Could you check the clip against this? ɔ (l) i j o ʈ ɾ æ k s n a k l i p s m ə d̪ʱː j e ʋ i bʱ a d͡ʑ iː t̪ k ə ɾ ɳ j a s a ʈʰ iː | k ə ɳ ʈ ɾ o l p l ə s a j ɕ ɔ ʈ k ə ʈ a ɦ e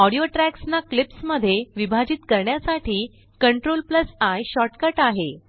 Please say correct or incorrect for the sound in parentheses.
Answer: incorrect